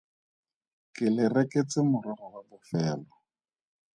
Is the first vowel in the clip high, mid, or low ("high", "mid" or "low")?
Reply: high